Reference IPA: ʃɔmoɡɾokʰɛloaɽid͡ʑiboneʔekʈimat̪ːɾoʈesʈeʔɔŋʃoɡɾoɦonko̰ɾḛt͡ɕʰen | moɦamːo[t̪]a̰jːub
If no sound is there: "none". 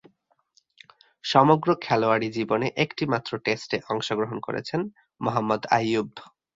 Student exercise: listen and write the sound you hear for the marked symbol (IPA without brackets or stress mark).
d̪